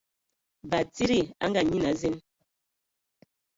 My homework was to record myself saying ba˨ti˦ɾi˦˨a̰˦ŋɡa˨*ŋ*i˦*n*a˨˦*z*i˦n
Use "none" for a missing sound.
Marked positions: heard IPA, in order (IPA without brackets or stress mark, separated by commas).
ɲ, n, z